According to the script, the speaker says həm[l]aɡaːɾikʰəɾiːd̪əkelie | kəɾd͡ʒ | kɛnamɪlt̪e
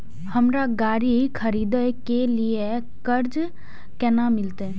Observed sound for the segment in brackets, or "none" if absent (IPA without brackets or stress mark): ɾ